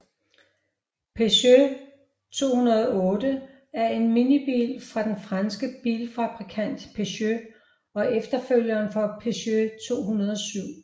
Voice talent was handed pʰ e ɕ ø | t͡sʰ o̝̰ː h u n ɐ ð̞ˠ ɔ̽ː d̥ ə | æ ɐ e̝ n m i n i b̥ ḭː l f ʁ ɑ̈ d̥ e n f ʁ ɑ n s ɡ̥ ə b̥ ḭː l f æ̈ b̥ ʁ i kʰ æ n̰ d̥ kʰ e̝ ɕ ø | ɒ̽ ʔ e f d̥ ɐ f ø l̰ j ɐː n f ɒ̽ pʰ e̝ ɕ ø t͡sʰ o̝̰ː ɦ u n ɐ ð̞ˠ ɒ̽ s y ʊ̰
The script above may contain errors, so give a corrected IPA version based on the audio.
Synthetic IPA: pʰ e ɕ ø | t͡sʰ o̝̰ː h u n ɐ ð̞ˠ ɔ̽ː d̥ ə | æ ɐ e̝ n m i n i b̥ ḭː l f ʁ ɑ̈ d̥ e n f ʁ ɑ n s ɡ̥ ə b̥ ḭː l f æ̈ b̥ ʁ i kʰ æ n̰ d̥ pʰ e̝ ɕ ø | ɒ̽ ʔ e f d̥ ɐ f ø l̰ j ɐː n f ɒ̽ pʰ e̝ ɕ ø t͡sʰ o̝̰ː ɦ u n ɐ ð̞ˠ ɒ̽ s y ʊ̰